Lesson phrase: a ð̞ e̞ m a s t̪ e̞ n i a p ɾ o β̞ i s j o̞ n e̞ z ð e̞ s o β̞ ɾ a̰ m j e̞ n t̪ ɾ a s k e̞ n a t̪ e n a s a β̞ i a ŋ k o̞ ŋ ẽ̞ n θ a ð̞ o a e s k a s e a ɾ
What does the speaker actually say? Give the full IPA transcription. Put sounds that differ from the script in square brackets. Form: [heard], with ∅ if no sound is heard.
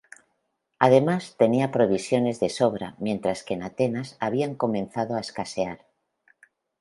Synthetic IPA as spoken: a ð̞ e̞ m a s t̪ e̞ n i a p ɾ o β̞ i s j o̞ n e̞ z ð e̞ s o β̞ ɾ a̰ m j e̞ n t̪ ɾ a s k e̞ n a t̪ e n a s a β̞ i a ŋ k o̞ [m] ẽ̞ n θ a ð̞ o a e s k a s e a ɾ